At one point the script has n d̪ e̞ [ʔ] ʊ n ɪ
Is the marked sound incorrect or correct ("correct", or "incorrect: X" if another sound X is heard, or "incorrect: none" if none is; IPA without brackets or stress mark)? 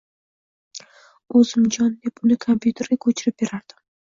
incorrect: p